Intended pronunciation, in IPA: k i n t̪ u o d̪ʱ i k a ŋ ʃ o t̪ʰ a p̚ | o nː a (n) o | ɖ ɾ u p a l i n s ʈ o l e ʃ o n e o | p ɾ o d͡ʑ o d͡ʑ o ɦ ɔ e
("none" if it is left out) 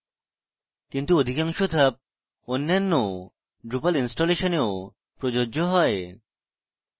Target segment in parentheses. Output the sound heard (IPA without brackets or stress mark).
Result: nː